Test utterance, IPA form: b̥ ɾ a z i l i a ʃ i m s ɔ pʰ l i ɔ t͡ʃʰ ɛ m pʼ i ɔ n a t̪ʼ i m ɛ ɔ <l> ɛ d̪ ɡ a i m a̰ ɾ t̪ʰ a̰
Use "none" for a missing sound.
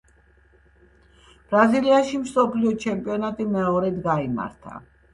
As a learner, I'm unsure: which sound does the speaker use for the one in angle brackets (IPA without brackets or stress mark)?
ɾ